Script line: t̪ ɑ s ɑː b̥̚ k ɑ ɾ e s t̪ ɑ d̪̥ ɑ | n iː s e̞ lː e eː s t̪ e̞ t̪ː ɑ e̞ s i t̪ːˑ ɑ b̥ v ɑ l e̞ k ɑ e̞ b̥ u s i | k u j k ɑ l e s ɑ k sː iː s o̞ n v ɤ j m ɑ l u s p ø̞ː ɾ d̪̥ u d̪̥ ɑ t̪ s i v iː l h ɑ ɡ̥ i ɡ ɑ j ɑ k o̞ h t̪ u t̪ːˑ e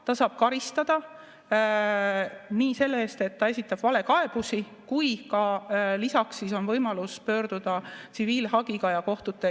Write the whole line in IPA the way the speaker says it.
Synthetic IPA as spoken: t̪ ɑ s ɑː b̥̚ k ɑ ɾ i s t̪ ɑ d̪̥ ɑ | n iː s e̞ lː e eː s t̪ e̞ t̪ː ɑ e̞ s i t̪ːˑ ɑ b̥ v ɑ l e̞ k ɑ e̞ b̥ u s i | k u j k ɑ l i s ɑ k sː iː s o̞ n v ɤ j m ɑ l u s p ø̞ː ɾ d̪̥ u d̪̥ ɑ t̪ s i v iː l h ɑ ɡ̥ i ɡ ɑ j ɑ k o̞ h t̪ u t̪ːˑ e